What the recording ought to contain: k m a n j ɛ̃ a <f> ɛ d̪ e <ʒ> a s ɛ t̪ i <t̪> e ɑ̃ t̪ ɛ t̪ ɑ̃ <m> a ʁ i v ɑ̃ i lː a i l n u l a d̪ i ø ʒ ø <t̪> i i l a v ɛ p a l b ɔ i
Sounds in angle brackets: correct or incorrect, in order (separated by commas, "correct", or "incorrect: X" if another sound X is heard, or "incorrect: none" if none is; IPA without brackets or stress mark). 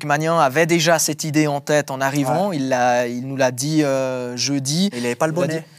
incorrect: v, correct, incorrect: d̪, incorrect: n, incorrect: d̪